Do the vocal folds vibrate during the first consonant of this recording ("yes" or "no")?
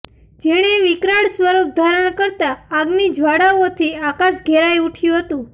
yes